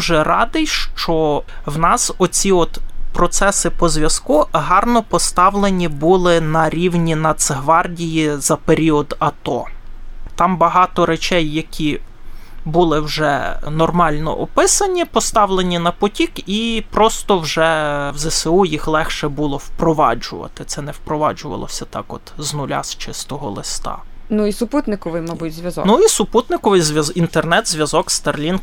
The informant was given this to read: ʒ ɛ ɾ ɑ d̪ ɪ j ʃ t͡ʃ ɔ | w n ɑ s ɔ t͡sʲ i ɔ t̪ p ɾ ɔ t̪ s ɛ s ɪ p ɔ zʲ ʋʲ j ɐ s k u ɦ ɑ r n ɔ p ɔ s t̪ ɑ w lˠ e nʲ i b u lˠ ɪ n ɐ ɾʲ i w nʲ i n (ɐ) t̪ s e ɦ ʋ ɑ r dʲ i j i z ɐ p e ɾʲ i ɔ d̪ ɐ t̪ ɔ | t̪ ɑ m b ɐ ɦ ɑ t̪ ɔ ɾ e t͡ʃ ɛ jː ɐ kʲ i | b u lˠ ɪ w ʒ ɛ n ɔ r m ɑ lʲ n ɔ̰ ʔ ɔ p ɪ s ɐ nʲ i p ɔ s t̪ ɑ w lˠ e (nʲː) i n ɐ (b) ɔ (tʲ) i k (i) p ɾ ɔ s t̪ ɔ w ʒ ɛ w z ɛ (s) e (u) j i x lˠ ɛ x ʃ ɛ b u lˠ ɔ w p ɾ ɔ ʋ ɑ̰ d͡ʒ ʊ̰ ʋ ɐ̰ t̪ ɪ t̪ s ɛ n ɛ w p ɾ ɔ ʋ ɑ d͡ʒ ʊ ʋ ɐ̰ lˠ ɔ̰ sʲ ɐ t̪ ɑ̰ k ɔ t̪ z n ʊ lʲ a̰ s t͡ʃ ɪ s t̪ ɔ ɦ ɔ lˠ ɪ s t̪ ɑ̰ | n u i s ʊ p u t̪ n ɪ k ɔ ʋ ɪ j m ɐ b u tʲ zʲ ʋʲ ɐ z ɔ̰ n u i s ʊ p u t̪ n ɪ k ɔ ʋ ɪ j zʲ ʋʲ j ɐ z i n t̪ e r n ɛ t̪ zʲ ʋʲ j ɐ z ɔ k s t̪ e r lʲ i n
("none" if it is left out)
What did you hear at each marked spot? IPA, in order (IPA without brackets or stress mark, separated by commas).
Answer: ɐ, nʲ, p, tʲ, i, s, u